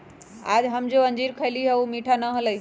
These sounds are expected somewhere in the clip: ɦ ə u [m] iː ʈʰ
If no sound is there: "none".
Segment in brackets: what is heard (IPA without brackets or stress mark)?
m